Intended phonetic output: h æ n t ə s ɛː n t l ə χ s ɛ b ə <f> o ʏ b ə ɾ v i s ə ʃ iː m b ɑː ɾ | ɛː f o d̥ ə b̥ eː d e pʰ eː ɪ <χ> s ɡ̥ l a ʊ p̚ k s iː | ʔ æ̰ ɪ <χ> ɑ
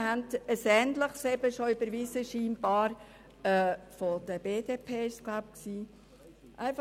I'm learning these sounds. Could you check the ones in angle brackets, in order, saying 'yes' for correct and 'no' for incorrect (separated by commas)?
no, no, no